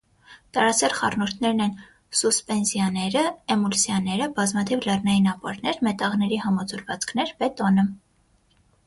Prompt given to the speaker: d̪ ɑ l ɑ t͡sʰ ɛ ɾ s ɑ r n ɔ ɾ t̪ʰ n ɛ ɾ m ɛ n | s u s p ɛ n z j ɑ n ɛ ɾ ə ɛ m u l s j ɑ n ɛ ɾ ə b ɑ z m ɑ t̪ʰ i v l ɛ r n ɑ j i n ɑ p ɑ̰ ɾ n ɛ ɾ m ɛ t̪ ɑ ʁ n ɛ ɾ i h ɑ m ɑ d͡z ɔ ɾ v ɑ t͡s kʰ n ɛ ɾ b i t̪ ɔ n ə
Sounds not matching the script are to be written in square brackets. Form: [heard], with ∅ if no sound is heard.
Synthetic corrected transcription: [t̪] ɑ [ɾ] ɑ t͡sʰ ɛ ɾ [χ] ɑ r n ɔ ɾ t̪ʰ n ɛ ɾ [n] ɛ n | s u s p ɛ n z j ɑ n ɛ ɾ ə ɛ m u l s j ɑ n ɛ ɾ ə b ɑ z m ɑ t̪ʰ i v l ɛ r n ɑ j i n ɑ p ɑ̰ ɾ n ɛ ɾ m ɛ t̪ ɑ ʁ n ɛ ɾ i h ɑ m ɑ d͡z ɔ ɾ v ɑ t͡s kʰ n ɛ ɾ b [ɛ] t̪ ɔ n ə